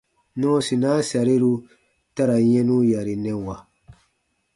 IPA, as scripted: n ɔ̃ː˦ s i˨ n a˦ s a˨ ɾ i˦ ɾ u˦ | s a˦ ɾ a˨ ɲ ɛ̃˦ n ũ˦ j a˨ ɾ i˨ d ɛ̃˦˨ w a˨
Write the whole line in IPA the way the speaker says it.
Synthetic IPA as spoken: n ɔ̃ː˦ s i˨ n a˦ s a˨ ɾ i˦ ɾ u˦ | t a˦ ɾ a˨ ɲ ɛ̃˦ n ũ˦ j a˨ ɾ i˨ n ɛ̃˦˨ w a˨